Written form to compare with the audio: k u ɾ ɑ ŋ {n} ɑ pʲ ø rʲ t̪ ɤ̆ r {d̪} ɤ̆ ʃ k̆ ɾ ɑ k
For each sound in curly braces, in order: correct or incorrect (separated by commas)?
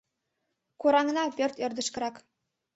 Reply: correct, correct